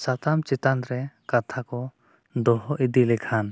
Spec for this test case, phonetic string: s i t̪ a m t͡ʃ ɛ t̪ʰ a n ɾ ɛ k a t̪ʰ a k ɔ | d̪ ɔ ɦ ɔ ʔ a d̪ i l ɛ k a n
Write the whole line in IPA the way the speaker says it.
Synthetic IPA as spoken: s a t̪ a m t͡ʃ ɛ t̪ a n ɾ ɛ k a t̪ʰ a k ɔ | d̪ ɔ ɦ ɔ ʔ i d̪ i l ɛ kʰ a n

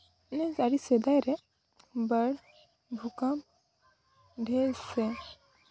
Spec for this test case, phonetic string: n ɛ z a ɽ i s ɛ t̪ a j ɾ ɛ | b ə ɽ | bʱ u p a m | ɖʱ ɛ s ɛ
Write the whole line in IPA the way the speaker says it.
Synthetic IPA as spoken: n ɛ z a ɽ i s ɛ d̪ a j ɾ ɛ | b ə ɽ | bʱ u k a m | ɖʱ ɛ s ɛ

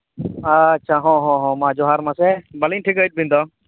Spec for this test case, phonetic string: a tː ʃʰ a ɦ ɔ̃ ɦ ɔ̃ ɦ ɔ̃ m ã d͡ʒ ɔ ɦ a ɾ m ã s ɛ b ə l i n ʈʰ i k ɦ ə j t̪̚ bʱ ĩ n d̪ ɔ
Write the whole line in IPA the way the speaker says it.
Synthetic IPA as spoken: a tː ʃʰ a ɦ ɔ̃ ɦ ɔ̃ ɦ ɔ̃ m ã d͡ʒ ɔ ɦ a ɾ m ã s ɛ b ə l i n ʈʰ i k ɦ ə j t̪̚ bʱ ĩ n d̪ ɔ

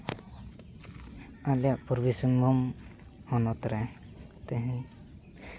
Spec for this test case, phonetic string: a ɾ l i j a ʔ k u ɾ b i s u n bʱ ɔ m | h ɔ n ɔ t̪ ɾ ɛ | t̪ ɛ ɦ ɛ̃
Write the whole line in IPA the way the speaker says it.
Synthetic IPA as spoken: a l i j a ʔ p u ɾ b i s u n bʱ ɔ m | h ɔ n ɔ t̪ ɾ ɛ | t̪ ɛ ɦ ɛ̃

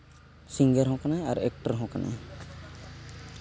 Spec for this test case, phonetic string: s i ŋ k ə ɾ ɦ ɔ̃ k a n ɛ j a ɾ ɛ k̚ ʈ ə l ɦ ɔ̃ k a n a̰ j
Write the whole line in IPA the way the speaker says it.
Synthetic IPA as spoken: s i ŋ ɡ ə ɾ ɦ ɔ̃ k a n a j a ɾ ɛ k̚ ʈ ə ɾ ɦ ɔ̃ k a n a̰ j

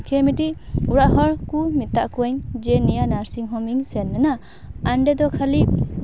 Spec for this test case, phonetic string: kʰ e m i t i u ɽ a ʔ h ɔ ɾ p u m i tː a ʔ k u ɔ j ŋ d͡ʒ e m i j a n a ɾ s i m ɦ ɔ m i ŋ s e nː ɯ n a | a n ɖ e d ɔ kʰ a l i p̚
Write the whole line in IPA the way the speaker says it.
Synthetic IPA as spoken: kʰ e m i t i u ɾ a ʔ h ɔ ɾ k u m i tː a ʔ k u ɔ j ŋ d͡ʒ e n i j a n a ɾ s i ŋ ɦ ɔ m i ŋ s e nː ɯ n a | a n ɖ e d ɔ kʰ a l i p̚

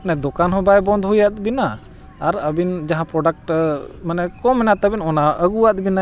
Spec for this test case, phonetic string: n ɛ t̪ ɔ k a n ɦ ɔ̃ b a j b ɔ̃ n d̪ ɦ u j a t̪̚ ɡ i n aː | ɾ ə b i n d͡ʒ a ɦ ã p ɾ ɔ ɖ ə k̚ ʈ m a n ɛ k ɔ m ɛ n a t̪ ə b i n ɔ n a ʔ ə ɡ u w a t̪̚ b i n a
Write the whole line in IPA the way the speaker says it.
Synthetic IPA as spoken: n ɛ d̪ ɔ k a n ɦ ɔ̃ b a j b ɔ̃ n d̪ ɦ u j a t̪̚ b i n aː | ɾ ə b i n d͡ʒ a ɦ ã p ɾ ɔ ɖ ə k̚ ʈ m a n ɛ k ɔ m ɛ n a t̪ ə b i n ɔ n a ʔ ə ɡ u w a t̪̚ b i n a

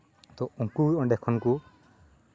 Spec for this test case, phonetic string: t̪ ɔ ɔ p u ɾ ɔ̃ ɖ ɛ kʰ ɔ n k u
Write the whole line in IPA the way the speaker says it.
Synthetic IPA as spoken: t̪ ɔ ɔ k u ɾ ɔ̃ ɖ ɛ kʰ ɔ n k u

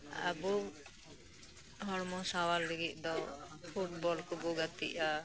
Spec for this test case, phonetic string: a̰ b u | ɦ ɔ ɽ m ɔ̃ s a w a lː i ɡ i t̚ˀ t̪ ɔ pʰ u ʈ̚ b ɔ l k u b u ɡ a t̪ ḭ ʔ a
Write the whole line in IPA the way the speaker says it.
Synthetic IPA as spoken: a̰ b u | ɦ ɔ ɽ m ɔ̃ s a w a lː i ɡ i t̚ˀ d̪ ɔ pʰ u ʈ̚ b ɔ l k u b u ɡ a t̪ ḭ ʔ a

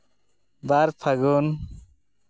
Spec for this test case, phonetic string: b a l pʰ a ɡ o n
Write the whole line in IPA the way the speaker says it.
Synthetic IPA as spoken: b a ɾ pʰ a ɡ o n

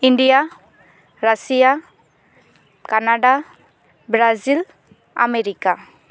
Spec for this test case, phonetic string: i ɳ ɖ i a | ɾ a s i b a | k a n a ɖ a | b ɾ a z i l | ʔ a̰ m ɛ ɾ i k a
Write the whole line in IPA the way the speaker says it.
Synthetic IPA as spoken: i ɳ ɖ i a | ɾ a s i a | k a n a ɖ a | b ɾ a z i l | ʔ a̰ m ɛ ɾ i k a

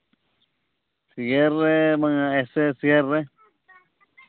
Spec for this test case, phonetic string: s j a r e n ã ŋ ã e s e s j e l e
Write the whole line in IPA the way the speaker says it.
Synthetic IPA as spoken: s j e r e m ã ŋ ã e s e s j e r e

